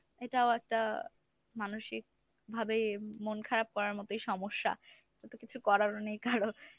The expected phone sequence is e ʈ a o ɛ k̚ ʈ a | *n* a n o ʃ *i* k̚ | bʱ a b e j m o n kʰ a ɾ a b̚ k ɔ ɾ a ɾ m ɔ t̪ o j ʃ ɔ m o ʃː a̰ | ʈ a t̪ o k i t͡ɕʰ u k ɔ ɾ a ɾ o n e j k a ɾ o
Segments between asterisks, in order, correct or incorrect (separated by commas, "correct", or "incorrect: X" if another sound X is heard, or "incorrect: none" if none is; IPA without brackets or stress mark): incorrect: m, correct